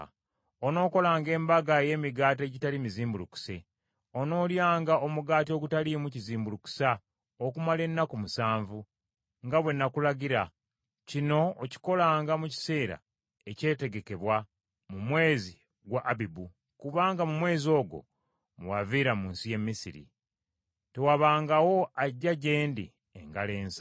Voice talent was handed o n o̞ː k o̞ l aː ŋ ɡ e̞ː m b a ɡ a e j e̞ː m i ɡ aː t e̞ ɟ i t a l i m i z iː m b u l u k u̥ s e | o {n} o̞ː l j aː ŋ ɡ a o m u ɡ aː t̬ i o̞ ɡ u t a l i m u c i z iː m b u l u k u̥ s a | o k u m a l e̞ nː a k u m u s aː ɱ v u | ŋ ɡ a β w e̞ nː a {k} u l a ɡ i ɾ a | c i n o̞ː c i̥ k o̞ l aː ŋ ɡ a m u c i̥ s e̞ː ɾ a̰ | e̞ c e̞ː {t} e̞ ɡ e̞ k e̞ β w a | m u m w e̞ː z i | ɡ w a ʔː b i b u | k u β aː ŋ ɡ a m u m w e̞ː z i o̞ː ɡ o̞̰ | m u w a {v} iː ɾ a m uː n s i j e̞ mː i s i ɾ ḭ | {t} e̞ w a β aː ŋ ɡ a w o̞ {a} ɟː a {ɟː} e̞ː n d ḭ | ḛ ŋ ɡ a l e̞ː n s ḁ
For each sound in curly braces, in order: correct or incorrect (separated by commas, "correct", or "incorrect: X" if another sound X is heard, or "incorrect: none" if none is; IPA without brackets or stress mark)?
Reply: correct, correct, correct, correct, correct, correct, incorrect: ɟ